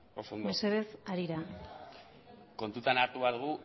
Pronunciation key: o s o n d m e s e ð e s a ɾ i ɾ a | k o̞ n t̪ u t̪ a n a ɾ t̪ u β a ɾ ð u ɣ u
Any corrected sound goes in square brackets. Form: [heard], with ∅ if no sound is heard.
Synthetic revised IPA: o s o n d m e s e ð e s a ɾ i ɾ a | k o̞ n t̪ u t̪ a n a ɾ t̪ u β a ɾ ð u ɣ u